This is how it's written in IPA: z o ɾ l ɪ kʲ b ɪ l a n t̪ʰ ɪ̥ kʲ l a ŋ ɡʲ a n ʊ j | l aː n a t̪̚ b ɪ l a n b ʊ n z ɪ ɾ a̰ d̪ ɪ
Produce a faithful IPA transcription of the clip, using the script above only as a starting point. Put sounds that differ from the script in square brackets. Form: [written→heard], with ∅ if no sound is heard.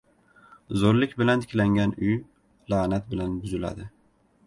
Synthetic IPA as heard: z o ɾ l ɪ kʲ b ɪ l a n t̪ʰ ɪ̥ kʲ l a ŋ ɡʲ a n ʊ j | l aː n a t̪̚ b ɪ l a n b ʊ [n→∅] z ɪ [ɾ→l] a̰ d̪ ɪ